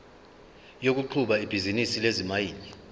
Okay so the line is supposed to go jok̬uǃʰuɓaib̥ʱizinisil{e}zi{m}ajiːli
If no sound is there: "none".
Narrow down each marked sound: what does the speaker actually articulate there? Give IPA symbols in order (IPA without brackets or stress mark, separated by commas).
e, m